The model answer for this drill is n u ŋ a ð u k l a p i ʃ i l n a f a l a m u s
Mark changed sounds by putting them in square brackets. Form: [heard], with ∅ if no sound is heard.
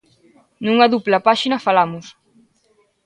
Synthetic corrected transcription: n u ŋ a ð u [p] l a p [a] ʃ i [∅] n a f a l a m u s